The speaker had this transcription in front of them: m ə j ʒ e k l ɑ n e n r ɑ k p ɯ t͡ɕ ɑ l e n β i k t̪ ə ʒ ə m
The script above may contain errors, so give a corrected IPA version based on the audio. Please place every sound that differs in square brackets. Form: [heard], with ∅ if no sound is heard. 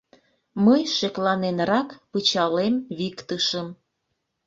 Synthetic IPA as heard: m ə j [ʃ] e k l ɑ n e n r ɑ k p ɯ t͡ɕ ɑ l e [m] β i k t̪ ə [ʃ] ə m